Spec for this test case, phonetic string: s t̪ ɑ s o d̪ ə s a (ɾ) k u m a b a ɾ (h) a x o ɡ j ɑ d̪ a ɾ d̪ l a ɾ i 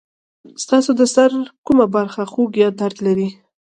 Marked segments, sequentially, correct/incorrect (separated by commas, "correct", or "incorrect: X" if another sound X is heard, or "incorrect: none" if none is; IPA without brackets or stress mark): correct, incorrect: x